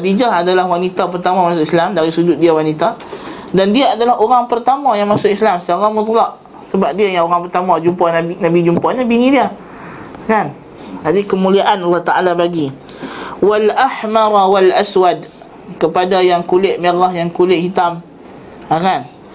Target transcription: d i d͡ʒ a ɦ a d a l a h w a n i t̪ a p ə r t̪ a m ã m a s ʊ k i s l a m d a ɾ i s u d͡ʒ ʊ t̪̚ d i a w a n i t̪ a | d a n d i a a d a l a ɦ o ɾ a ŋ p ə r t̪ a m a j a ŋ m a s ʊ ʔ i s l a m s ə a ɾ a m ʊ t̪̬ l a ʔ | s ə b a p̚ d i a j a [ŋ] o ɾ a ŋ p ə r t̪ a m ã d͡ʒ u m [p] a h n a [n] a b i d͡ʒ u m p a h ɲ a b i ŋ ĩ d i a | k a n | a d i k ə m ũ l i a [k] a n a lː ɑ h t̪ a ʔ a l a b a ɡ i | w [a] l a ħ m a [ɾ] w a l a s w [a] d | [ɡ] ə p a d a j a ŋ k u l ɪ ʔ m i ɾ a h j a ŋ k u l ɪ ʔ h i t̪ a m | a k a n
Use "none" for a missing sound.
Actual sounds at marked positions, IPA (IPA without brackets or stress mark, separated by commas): ŋ, p, n, ʔ, a, ɾ, a, k